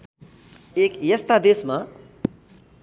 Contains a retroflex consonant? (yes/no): no